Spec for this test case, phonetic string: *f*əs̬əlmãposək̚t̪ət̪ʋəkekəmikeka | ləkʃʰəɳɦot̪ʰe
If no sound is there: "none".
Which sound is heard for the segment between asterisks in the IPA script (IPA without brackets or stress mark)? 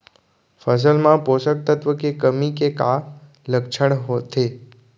f